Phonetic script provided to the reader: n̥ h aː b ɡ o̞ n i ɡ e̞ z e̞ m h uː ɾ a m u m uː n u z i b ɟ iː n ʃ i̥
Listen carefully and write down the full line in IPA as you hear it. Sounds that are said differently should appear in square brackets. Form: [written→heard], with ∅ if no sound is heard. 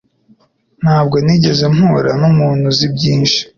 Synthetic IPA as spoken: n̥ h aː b ɡ o̞ n i [ɡ→ɟ] e̞ z e̞ m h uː ɾ a [m→n] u m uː n u z i b ɟ iː n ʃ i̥